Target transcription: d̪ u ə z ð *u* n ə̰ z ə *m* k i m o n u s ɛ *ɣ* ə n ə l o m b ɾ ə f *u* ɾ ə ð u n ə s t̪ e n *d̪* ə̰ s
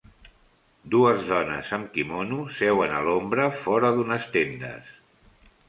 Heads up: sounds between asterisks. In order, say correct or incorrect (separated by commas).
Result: incorrect, correct, incorrect, incorrect, correct